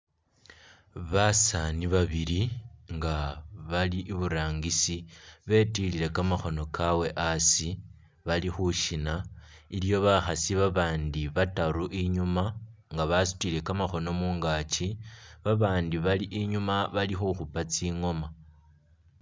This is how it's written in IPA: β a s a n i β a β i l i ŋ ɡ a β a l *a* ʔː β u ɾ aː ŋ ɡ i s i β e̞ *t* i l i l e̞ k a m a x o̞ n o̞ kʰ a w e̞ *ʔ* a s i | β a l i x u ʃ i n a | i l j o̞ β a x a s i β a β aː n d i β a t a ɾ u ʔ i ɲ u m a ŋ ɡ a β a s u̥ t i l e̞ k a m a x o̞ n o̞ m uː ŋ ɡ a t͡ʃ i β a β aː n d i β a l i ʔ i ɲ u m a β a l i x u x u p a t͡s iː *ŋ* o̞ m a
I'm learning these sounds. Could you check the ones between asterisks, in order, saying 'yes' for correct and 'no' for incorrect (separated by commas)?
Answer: no, yes, yes, yes